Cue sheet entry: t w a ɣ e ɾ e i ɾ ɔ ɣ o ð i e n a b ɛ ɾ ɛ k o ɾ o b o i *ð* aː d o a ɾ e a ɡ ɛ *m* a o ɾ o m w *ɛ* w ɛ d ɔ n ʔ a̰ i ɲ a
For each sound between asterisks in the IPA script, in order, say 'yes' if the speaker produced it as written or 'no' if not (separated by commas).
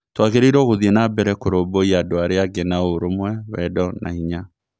no, no, yes